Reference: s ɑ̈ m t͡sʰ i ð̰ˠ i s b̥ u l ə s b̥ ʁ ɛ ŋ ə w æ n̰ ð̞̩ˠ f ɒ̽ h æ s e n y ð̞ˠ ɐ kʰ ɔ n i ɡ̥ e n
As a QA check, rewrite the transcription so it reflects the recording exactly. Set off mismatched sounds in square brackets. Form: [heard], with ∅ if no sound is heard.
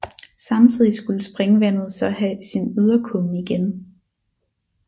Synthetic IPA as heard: s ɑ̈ m t͡sʰ i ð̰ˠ i s [ɡ̥] u l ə s b̥ ʁ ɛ ŋ ə [ʋ] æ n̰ ð̞̩ˠ [s] ɒ̽ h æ s [i] n y ð̞ˠ ɐ kʰ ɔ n i ɡ̥ e n